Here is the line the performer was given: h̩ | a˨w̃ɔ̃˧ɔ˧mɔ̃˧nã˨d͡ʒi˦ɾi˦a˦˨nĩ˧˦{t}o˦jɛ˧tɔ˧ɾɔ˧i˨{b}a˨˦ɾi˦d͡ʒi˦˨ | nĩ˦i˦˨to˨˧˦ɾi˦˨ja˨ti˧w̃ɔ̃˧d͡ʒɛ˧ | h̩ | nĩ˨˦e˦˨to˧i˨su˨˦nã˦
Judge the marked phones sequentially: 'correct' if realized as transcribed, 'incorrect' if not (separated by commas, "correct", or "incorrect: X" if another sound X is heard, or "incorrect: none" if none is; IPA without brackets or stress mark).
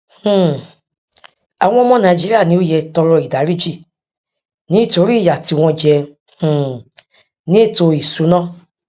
incorrect: none, incorrect: d